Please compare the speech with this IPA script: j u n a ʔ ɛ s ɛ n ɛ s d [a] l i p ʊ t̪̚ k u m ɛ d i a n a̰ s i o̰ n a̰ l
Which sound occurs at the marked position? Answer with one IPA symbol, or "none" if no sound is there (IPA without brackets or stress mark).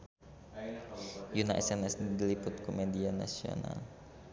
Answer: i